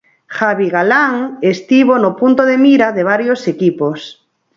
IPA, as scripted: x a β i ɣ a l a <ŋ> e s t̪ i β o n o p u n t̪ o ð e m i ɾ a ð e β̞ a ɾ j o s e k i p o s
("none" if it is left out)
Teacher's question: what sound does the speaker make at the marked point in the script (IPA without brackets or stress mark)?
ŋ